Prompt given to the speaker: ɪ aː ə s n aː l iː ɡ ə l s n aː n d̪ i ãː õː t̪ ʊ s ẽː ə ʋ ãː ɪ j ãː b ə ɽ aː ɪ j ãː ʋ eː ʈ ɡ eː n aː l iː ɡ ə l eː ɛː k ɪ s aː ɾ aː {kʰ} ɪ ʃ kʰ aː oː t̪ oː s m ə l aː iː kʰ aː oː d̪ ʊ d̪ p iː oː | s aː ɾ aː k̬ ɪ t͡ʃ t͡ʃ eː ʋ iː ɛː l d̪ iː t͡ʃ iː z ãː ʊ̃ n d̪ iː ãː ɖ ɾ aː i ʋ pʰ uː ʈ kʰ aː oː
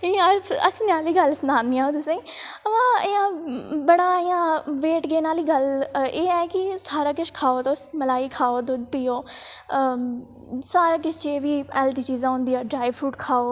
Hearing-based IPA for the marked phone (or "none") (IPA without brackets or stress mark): k